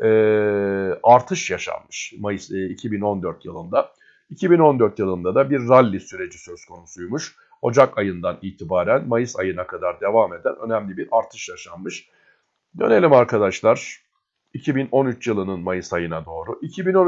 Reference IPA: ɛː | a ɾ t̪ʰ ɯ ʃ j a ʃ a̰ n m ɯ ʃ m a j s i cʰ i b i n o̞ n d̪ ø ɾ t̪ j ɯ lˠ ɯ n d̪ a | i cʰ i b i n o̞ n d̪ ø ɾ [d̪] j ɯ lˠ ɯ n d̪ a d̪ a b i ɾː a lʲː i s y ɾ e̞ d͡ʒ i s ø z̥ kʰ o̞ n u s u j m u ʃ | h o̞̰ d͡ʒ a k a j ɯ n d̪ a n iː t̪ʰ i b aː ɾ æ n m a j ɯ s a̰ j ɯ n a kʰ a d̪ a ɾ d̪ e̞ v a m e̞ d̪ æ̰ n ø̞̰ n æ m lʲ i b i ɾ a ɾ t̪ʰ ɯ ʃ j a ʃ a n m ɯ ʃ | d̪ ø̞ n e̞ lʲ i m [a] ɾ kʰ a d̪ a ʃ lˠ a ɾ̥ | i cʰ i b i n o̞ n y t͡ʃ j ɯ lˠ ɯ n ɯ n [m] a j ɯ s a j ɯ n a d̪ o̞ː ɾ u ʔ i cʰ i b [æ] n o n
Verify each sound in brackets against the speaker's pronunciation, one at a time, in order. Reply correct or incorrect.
incorrect, correct, correct, incorrect

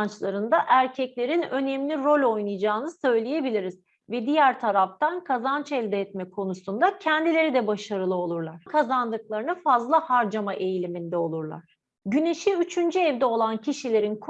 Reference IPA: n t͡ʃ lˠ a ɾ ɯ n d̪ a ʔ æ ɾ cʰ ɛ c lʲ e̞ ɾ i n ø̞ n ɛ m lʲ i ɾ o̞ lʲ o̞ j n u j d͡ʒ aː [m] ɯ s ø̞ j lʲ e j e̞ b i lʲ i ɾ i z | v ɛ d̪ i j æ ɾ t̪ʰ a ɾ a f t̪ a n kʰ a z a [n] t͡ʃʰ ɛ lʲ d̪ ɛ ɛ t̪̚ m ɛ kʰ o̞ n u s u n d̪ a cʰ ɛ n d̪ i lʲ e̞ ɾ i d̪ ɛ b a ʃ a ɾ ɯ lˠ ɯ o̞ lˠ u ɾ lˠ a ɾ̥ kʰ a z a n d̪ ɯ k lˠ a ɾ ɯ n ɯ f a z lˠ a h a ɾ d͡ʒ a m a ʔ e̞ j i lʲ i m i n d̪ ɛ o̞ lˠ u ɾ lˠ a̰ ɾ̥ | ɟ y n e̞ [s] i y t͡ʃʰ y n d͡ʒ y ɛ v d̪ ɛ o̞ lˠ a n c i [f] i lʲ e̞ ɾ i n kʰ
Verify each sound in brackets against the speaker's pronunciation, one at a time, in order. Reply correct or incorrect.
incorrect, correct, incorrect, incorrect

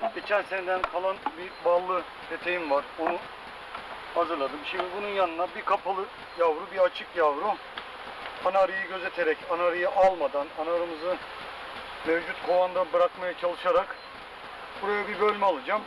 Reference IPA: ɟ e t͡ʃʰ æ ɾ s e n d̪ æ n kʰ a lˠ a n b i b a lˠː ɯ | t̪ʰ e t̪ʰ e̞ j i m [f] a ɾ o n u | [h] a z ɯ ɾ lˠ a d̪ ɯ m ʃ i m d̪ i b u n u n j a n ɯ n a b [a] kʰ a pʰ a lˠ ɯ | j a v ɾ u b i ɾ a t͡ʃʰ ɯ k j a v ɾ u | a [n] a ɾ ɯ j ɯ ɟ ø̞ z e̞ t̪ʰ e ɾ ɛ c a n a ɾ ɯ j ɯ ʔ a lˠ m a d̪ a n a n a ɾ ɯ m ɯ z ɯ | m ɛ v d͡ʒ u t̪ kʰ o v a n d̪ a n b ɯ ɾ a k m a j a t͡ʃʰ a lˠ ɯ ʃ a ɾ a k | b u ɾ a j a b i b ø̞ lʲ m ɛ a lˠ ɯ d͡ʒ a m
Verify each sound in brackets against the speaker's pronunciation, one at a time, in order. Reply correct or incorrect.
incorrect, correct, incorrect, correct

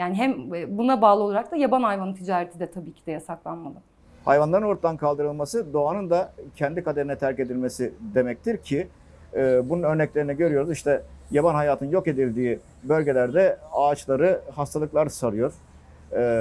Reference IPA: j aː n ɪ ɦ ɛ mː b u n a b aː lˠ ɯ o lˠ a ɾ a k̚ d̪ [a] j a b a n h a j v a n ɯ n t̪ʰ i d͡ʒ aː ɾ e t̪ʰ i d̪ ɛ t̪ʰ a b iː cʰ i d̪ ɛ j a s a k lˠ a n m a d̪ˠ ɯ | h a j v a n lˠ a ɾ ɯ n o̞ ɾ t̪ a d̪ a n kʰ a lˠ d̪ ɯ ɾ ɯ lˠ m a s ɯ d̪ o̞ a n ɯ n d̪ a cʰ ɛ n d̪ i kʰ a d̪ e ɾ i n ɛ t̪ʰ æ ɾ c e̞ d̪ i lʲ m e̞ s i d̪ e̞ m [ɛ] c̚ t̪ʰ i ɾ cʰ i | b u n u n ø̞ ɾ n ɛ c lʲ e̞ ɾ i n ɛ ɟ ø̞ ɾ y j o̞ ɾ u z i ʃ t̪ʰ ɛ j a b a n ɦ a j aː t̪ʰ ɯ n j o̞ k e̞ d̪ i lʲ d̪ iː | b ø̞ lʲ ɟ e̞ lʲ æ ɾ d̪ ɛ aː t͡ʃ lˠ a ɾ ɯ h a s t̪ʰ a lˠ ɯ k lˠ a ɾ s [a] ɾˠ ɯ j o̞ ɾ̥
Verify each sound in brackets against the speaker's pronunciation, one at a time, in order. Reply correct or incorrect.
correct, correct, correct

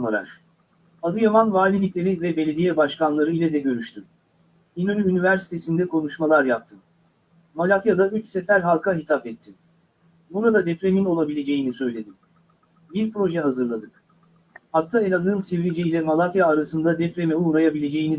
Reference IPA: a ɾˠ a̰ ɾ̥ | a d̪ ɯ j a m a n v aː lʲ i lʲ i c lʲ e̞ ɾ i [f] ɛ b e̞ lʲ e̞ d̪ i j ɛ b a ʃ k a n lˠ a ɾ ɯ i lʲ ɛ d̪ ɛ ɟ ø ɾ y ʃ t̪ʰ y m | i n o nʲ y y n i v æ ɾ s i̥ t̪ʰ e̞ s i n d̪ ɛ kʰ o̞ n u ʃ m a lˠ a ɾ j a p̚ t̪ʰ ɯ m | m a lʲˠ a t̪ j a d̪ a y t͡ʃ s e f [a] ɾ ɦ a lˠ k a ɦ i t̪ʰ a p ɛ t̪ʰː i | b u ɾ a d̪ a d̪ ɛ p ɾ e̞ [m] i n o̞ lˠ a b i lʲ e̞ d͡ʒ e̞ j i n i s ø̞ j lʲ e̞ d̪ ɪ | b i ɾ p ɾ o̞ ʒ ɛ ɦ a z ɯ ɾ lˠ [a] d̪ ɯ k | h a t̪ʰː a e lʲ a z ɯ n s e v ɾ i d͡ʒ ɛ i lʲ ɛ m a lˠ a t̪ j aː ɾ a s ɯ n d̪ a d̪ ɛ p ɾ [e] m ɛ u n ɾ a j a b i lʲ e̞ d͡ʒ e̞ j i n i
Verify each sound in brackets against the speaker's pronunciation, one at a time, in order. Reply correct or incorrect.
incorrect, incorrect, correct, correct, correct

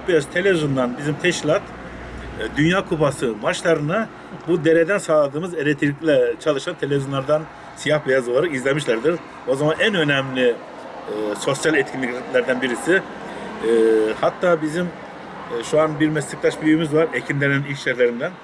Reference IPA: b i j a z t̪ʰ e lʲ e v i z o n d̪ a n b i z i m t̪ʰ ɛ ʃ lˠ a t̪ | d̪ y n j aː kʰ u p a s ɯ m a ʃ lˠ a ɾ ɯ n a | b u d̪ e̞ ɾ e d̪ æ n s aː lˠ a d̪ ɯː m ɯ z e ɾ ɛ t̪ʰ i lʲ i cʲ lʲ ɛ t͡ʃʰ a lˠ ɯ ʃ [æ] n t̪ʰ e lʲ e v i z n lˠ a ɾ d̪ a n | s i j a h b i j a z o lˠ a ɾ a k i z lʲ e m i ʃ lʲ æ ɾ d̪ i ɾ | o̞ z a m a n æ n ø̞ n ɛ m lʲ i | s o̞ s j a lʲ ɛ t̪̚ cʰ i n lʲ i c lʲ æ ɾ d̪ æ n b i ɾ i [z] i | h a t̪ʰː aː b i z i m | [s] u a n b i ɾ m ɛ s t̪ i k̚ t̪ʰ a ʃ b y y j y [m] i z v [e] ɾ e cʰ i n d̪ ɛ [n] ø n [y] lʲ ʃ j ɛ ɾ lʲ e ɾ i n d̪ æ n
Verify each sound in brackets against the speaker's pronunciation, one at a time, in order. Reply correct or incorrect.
incorrect, incorrect, incorrect, correct, incorrect, correct, incorrect

